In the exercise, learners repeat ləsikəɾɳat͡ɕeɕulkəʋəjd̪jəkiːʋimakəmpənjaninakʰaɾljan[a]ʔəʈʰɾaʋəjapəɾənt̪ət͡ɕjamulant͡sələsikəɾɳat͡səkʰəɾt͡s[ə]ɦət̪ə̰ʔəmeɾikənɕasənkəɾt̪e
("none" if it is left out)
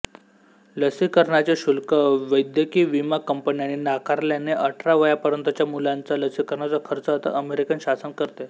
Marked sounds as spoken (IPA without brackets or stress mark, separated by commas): e, ə